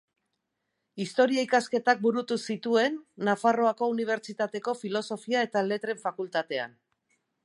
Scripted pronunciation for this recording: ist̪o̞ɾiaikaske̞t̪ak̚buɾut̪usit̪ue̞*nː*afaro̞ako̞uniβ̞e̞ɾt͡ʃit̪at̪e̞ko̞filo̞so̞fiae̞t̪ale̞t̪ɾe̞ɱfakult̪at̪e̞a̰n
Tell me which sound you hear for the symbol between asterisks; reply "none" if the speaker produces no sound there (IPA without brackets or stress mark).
nː